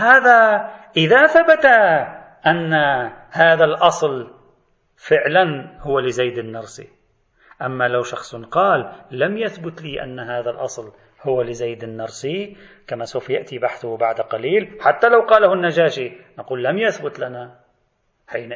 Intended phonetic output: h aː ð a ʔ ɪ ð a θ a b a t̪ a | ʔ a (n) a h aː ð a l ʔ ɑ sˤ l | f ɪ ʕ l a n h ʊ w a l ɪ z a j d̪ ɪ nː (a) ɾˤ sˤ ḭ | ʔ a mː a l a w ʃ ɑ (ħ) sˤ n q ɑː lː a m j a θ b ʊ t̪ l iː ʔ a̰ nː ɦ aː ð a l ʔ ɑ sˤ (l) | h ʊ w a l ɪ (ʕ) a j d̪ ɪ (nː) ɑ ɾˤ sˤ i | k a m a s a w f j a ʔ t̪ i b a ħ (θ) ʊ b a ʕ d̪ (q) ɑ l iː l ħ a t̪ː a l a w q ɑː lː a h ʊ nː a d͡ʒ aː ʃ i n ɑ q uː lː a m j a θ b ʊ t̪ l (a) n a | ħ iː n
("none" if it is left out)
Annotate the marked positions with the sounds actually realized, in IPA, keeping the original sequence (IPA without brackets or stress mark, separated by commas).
nː, ɑ, x, l, z, nː, θ, q, a